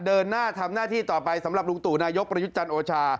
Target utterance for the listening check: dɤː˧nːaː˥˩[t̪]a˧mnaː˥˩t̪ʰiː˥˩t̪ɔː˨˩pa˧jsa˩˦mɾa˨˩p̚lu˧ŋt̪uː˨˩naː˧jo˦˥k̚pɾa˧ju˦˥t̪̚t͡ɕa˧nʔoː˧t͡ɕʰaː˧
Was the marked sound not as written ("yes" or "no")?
yes